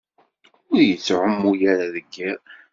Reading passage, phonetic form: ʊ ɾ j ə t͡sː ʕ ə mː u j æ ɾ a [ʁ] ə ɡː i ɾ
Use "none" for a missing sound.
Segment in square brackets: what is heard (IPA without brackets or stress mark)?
ð